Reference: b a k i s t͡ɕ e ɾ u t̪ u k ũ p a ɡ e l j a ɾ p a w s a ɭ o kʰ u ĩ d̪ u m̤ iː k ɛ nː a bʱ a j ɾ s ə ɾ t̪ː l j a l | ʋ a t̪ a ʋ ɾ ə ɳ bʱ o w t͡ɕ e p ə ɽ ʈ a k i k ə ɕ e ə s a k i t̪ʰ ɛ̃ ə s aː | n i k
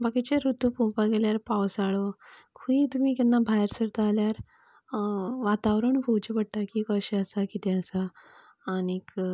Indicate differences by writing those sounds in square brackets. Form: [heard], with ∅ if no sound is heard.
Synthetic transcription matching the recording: b a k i [∅] t͡ɕ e ɾ u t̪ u [p] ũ p a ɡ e l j a ɾ p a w s a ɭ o kʰ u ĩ [t̪] u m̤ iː k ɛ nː a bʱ a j ɾ s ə ɾ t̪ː l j a [ɾ] | ʋ a t̪ a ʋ ɾ ə ɳ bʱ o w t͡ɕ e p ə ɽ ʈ a k i k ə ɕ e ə s a k i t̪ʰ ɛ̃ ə s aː | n i k